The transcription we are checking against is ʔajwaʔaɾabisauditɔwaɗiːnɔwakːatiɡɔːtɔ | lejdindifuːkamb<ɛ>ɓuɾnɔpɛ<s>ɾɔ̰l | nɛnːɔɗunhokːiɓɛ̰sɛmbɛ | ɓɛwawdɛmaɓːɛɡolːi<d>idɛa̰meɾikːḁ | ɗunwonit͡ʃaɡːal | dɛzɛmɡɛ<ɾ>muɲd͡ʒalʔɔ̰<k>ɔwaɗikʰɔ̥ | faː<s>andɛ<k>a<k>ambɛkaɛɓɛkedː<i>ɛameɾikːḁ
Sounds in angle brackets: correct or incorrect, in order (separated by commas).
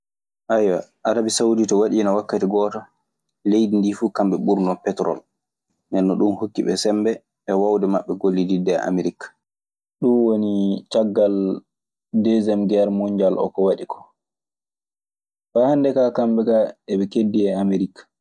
correct, incorrect, correct, correct, correct, incorrect, correct, correct, correct